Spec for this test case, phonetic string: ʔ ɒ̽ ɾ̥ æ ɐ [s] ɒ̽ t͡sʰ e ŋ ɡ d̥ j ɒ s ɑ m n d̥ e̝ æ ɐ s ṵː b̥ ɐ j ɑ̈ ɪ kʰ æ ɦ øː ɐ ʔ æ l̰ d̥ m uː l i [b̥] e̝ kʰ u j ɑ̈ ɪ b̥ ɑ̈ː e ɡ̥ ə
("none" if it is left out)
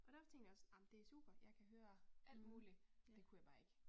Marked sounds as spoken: f, d̥

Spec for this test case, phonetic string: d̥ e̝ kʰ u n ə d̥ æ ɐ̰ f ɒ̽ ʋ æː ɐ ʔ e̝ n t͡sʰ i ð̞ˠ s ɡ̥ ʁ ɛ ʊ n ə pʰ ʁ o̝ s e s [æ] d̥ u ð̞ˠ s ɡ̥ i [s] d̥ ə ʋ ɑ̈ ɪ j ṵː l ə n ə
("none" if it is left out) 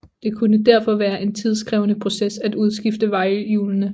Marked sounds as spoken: æ, f

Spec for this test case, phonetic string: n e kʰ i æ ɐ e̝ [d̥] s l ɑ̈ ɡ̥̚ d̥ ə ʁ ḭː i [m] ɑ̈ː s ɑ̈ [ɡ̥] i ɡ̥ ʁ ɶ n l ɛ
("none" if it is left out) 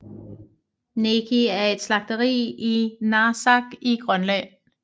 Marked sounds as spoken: d̥, n, ɡ̥

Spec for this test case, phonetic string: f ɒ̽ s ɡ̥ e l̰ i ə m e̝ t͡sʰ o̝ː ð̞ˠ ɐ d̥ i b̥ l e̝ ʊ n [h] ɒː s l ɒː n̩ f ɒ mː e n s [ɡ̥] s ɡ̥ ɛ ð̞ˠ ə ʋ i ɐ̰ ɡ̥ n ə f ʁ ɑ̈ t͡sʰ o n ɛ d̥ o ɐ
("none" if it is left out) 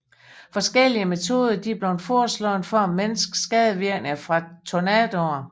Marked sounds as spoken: f, ɡ̥

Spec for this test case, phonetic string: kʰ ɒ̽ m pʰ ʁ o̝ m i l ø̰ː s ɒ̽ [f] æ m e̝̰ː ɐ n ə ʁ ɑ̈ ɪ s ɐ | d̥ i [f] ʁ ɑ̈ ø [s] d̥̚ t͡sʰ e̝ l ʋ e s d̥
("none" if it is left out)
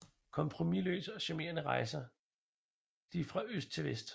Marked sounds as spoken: ɕ, f, s

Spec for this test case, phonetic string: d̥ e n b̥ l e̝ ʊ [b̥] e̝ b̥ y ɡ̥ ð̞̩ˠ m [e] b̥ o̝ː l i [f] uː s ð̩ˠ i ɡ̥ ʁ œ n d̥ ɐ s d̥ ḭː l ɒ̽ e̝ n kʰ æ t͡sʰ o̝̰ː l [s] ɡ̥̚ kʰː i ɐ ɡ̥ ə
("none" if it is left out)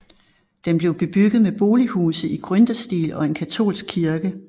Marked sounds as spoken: b̥, e, h, s

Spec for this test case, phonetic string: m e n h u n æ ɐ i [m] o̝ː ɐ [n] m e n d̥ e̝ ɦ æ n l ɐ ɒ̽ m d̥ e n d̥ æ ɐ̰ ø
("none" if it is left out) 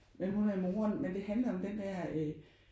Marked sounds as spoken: m, n

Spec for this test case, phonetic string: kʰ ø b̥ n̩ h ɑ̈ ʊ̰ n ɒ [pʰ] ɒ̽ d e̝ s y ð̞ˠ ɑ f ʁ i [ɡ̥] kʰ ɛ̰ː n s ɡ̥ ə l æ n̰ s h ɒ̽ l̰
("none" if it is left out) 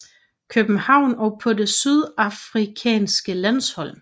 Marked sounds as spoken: pʰ, none

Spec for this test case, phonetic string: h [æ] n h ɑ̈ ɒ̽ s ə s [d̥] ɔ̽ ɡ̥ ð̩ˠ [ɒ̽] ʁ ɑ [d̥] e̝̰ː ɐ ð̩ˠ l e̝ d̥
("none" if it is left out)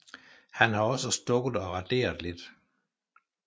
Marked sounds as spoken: æ, d̥, ɒ̽, d̥

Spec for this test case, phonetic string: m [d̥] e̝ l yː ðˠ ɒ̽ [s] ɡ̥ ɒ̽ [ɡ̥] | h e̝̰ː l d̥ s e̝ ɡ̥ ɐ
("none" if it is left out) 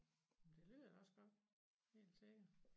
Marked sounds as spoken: d̥, s, d̥

